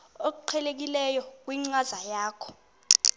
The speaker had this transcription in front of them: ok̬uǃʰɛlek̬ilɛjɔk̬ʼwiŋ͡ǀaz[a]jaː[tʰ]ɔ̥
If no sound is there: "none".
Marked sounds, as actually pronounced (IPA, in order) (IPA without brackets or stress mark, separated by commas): a, kʰ